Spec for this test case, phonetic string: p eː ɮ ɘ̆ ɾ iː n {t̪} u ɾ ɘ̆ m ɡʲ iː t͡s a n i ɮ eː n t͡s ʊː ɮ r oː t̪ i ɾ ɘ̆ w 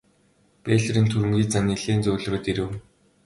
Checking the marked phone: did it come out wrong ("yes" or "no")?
yes